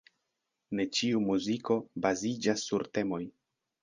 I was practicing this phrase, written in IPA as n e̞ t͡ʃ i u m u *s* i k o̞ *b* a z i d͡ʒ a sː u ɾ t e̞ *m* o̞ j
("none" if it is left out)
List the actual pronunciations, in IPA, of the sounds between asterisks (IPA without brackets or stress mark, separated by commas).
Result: z, b, m